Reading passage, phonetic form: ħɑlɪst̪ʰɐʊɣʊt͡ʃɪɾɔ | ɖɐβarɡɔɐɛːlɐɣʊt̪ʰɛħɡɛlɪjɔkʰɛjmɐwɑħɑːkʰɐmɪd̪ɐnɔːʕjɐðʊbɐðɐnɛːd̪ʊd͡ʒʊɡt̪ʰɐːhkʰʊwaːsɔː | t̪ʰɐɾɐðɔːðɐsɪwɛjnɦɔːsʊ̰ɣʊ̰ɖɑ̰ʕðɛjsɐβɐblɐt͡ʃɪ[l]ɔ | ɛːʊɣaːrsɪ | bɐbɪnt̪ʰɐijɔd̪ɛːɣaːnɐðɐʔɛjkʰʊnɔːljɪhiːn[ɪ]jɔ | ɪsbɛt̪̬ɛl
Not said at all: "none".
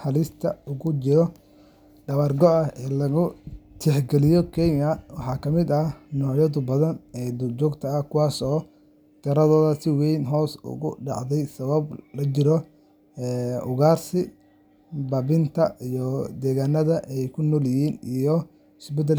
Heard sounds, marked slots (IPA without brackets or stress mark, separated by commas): ɾ, i